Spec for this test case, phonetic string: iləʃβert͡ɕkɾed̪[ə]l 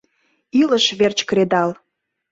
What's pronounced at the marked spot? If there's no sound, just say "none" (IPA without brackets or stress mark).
ɑ